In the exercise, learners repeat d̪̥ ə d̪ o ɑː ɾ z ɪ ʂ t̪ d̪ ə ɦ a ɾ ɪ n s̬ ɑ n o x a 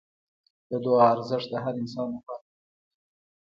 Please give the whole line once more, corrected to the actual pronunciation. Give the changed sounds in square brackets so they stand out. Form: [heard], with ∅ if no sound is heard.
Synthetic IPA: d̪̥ ə d̪ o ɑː ɾ z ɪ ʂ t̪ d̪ ə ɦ a ɾ ɪ n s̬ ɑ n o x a